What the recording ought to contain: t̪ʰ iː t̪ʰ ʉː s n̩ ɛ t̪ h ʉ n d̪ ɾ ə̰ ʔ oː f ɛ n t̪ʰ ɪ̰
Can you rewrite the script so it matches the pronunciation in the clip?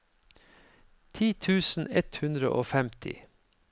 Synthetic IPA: t̪ʰ iː t̪ʰ ʉː s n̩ ɛ t̪ h ʉ n d̪ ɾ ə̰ ʔ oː f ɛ m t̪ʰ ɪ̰